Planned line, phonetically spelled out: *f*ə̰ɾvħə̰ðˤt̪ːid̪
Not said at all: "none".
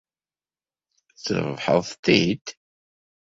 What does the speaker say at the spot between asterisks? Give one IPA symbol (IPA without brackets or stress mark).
θ